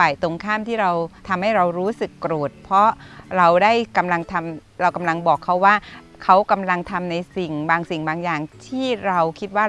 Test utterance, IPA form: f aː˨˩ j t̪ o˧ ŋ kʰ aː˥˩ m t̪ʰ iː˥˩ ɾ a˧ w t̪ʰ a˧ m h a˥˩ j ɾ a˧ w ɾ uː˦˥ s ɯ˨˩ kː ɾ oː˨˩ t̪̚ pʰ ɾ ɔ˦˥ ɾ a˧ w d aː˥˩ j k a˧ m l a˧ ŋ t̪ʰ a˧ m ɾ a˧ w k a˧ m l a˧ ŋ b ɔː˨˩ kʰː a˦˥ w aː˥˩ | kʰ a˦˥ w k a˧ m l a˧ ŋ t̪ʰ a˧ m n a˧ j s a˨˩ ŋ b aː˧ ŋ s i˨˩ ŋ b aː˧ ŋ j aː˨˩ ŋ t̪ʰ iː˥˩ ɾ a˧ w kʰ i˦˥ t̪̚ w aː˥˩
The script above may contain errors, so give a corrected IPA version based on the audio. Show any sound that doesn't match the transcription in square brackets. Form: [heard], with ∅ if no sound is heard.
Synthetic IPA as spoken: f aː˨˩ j t̪ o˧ ŋ kʰ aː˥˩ m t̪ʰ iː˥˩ ɾ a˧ w t̪ʰ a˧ m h a˥˩ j ɾ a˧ w ɾ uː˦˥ s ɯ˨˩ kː ɾ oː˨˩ t̪̚ pʰ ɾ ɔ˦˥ ɾ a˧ w d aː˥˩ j k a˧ m l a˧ ŋ t̪ʰ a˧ m ɾ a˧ w k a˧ m l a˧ ŋ b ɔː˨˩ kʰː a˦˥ w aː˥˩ | kʰ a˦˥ w k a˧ m l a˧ ŋ t̪ʰ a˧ m n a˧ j s [i˨˩] ŋ b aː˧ ŋ s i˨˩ ŋ b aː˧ ŋ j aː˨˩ ŋ t̪ʰ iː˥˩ ɾ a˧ w kʰ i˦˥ t̪̚ w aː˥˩